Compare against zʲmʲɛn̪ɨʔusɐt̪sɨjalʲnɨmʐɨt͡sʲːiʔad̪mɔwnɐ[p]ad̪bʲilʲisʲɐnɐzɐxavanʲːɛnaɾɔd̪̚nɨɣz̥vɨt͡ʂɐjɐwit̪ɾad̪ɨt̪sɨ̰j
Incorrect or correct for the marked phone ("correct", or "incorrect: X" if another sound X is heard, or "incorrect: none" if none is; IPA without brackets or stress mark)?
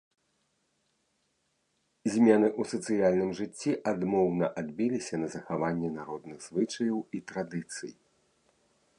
incorrect: ʔ